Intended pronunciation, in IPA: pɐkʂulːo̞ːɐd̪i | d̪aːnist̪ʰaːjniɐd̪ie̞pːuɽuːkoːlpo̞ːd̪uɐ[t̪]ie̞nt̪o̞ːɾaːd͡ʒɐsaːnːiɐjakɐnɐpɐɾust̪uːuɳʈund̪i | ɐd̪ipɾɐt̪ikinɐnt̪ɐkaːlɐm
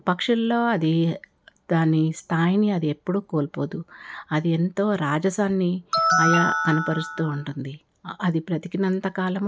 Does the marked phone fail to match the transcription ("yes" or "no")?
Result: yes